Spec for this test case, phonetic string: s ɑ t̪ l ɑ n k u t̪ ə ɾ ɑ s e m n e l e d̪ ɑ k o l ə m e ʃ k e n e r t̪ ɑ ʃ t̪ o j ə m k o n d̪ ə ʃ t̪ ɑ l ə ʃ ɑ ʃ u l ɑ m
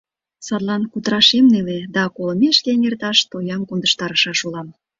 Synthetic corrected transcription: s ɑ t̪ l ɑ n k u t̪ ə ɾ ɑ ʃ e m n e l e d̪ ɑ k o l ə m e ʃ k e n e r t̪ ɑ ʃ t̪ o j ɑ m k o n d̪ ə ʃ t̪ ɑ ɾ ə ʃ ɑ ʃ u l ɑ m